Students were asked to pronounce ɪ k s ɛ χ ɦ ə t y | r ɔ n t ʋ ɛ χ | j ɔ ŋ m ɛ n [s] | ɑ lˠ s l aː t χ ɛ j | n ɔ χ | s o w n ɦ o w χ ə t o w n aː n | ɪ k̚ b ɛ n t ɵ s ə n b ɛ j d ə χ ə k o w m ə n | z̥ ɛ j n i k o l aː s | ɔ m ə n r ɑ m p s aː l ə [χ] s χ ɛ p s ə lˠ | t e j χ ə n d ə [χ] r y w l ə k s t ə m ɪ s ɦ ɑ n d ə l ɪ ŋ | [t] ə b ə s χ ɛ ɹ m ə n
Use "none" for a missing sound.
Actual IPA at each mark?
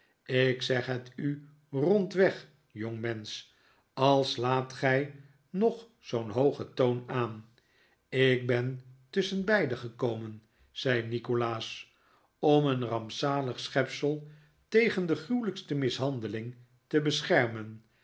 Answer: s, χ, χ, t

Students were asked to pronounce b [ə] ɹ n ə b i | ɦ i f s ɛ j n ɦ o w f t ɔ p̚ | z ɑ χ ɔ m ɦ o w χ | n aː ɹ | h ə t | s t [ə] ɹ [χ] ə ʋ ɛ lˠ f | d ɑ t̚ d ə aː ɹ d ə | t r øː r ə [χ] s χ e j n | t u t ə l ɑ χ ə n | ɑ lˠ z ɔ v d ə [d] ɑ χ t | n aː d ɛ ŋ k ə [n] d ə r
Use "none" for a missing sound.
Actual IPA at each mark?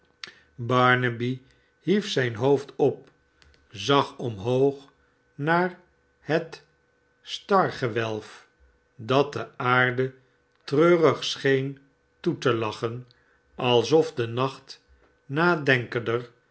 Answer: ɑ, ɑ, χ, χ, n, n

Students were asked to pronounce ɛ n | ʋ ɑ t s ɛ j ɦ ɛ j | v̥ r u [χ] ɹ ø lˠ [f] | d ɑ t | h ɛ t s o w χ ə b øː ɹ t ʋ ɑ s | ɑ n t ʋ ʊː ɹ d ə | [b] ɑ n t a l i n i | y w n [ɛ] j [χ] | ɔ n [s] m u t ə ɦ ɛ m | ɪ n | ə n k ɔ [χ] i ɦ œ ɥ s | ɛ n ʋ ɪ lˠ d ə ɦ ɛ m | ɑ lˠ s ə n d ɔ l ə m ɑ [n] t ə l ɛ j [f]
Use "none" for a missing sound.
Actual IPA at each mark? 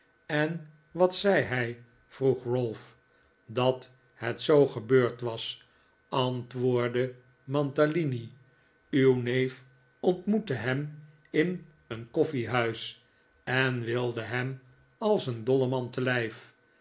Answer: χ, f, m, e, f, t, f, n, f

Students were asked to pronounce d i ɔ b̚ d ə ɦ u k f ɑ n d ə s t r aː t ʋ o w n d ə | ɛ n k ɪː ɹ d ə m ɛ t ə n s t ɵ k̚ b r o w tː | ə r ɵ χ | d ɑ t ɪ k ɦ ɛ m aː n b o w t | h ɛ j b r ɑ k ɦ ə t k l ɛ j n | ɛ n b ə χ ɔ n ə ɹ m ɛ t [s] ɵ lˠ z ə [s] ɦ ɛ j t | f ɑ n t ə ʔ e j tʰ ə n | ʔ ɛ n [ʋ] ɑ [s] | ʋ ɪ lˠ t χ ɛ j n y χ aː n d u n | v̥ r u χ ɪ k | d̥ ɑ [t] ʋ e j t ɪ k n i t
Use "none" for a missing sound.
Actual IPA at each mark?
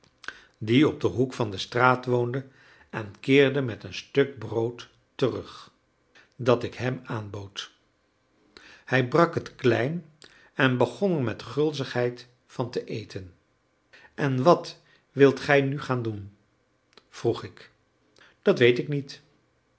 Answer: χ, χ, ʋ, t, t

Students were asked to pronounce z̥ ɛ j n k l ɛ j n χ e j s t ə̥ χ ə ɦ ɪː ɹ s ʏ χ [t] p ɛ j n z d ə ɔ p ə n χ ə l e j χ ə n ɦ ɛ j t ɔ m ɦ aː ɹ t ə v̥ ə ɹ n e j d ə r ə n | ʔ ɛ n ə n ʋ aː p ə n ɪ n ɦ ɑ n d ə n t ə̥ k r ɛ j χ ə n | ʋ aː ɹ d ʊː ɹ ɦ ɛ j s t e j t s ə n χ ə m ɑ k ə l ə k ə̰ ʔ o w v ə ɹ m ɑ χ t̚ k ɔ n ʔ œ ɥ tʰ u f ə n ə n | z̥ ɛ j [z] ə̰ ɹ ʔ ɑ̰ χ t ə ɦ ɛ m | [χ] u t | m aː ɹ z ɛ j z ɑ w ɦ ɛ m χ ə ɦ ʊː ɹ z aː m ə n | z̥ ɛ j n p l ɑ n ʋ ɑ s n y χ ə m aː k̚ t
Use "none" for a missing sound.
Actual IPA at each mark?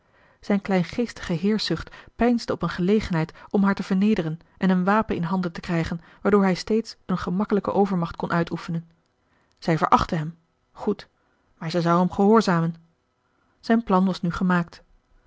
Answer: t, v, χ

